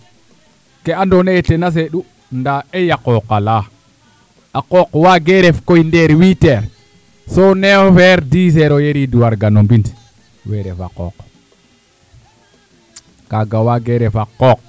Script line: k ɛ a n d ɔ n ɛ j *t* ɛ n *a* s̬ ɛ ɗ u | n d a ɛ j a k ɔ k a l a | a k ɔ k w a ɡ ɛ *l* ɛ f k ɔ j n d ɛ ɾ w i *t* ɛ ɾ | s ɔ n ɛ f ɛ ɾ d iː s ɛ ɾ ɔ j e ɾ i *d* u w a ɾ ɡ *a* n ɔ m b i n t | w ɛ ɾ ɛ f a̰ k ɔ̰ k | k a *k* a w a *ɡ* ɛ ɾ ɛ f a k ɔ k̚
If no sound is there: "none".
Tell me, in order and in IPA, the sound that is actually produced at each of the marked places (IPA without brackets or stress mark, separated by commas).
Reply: t, a, ɾ, t, d, a, ɡ, ɡ